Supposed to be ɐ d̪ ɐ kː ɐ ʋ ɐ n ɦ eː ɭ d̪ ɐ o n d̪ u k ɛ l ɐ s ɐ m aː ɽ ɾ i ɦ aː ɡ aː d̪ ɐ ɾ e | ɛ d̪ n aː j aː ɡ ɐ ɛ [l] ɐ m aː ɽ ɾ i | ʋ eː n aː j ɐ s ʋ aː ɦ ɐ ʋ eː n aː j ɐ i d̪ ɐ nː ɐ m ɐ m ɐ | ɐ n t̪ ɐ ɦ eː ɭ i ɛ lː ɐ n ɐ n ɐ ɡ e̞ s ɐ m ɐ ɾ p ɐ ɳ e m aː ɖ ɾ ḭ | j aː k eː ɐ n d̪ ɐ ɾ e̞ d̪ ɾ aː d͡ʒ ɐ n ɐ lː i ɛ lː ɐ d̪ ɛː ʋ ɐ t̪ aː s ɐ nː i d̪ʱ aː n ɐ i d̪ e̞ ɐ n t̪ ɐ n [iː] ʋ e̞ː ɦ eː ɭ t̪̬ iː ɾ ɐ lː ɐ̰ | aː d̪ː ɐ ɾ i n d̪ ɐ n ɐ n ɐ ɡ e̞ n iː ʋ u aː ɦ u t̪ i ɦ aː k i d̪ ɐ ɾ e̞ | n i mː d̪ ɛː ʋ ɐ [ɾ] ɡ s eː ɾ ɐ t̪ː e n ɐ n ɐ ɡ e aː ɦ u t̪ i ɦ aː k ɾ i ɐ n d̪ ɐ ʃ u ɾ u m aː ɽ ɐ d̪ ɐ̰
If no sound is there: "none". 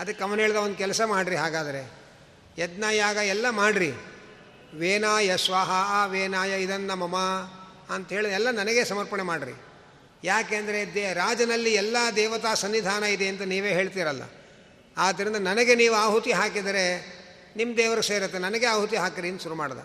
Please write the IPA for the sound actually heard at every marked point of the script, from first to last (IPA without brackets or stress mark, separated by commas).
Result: lː, iː, ɾ